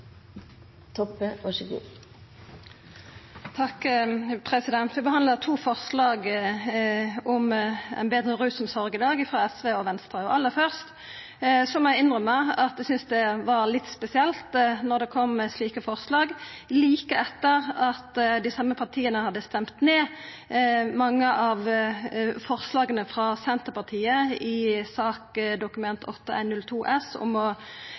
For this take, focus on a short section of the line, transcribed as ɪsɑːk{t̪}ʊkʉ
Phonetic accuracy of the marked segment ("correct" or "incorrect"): incorrect